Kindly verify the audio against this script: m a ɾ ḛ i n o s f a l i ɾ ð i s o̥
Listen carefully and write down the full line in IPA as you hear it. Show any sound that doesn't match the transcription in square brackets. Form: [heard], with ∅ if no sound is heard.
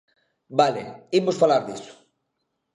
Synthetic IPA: [b] a [l] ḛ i [m] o s f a l [a] ɾ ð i s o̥